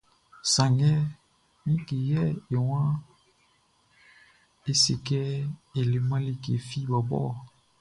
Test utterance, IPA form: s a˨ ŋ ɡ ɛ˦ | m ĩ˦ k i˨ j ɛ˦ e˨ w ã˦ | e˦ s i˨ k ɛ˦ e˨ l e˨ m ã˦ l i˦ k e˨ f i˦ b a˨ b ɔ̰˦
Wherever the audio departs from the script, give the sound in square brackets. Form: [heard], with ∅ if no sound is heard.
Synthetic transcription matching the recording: s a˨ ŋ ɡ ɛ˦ | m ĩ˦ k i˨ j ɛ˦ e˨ w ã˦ | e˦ s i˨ k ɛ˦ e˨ l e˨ m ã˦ l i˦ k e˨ f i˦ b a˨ b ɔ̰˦